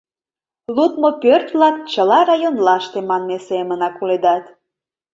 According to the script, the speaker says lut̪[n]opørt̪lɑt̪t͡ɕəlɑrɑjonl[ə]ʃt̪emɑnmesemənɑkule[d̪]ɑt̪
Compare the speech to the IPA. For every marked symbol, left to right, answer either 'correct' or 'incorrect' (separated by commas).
incorrect, incorrect, correct